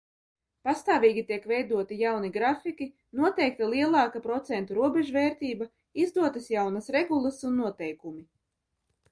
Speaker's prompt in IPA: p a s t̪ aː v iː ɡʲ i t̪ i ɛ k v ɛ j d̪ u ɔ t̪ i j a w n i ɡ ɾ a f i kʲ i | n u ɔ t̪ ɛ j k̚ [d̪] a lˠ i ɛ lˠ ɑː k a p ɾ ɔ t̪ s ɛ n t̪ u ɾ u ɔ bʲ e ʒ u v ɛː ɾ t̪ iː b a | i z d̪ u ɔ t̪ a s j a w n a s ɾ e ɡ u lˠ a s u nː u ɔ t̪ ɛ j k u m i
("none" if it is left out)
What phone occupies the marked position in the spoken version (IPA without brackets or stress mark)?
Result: t̪